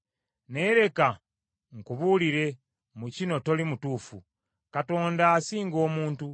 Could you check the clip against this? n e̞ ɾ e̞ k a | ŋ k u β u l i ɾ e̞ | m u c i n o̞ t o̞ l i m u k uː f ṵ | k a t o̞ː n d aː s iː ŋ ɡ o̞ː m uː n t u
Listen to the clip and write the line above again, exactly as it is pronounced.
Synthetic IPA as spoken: n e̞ ɾ e̞ k a | ŋ k u β u l i ɾ e̞ | m u c i n o̞ t o̞ l i m u t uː f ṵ | k a t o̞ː n d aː s iː ŋ ɡ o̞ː m uː n t u